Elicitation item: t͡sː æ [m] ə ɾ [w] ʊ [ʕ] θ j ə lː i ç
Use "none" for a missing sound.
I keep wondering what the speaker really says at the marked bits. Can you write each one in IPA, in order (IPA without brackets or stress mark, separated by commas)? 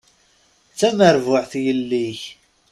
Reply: m, v, ʕ